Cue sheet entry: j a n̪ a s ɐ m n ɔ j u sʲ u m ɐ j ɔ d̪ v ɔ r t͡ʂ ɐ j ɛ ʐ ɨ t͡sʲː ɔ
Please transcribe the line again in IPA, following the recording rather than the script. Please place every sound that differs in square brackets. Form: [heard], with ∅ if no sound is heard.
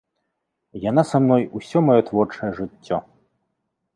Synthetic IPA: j a n̪ a s [a] m n ɔ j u sʲ [ɔ] m [a] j ɔ [t̪] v ɔ r t͡ʂ ɐ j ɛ ʐ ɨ t͡sʲː ɔ